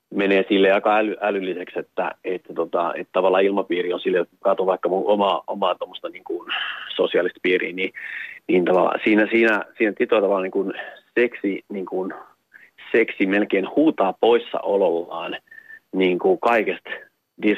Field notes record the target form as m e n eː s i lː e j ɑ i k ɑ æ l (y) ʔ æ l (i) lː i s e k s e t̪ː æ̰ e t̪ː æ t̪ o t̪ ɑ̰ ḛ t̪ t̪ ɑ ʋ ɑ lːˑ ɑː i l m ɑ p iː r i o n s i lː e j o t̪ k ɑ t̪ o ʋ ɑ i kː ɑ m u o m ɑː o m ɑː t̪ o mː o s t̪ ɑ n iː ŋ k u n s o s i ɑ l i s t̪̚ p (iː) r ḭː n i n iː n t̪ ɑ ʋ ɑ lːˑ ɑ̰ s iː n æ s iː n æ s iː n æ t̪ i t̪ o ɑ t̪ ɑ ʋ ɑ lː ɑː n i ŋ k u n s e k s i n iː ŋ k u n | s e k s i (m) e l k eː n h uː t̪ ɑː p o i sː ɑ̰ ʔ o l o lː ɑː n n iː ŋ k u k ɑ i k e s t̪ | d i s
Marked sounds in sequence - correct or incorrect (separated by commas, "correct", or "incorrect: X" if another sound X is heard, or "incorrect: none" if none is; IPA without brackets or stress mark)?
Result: correct, incorrect: y, correct, correct